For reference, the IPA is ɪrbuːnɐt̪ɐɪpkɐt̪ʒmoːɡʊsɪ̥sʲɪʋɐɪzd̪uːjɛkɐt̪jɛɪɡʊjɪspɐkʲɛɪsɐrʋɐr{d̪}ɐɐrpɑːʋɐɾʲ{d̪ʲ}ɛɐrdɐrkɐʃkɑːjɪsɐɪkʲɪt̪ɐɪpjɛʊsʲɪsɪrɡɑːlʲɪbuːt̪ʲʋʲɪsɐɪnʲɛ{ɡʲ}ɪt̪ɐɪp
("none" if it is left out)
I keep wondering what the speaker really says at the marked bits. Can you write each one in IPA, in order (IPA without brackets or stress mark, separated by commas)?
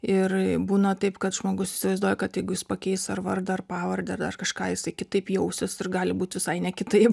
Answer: d̪, d̪ʲ, kʲ